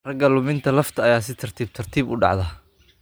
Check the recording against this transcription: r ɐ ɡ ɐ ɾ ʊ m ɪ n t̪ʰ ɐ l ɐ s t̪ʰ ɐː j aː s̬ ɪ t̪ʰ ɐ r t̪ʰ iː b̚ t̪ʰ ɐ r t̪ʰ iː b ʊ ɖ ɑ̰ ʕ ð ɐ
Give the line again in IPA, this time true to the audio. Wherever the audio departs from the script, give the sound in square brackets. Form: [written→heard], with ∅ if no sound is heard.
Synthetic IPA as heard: r ɐ ɡ ɐ [ɾ→l] ʊ m ɪ n t̪ʰ ɐ l ɐ [s→f] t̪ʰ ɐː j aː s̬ ɪ t̪ʰ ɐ r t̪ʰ iː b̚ t̪ʰ ɐ r t̪ʰ iː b ʊ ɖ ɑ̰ ʕ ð ɐ